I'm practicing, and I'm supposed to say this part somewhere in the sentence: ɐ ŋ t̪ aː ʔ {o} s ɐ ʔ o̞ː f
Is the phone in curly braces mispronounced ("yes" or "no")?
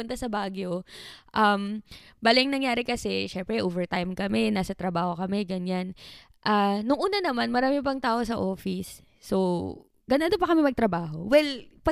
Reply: no